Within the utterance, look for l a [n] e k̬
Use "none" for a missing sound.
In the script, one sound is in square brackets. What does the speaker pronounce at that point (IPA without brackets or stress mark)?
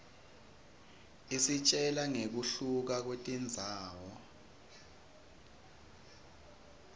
ŋ